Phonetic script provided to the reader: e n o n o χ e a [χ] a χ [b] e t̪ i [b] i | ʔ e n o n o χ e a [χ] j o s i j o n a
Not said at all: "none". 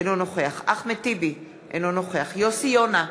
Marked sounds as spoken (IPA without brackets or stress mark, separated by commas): χ, m, b, χ